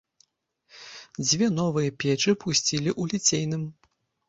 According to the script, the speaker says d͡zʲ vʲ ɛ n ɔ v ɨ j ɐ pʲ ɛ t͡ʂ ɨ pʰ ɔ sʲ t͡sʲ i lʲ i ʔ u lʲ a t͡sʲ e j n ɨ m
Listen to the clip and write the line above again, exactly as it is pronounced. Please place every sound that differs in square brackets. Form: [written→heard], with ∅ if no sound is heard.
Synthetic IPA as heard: d͡zʲ vʲ ɛ n ɔ v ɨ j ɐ pʲ ɛ t͡ʂ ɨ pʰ [ɔ→u] sʲ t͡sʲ i lʲ i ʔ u lʲ [a→i] t͡sʲ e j n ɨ m